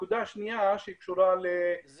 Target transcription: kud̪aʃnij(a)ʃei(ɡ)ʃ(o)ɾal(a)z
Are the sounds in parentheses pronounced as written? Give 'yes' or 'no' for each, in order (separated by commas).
yes, no, no, no